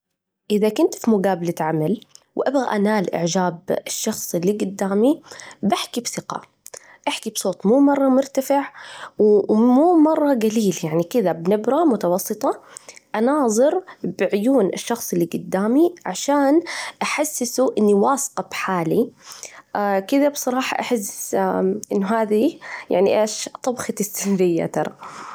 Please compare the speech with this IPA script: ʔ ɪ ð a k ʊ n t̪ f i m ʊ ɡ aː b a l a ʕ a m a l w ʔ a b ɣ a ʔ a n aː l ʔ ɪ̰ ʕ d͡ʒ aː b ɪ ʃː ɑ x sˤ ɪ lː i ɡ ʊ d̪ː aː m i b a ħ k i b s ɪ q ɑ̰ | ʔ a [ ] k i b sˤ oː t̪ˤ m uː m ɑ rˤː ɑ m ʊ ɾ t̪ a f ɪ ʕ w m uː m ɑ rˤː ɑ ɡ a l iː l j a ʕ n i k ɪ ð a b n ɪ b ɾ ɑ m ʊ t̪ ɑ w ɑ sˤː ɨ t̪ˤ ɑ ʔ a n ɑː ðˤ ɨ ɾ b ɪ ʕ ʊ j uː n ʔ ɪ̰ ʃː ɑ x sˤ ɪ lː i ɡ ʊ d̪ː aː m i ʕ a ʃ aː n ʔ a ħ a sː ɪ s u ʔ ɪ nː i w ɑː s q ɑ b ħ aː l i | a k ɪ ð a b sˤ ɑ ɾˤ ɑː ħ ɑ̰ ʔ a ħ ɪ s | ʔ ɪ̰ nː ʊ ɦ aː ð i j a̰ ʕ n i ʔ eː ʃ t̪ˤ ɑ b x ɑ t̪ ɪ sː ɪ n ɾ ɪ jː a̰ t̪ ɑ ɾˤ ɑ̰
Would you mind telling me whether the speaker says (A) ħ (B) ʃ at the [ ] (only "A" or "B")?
A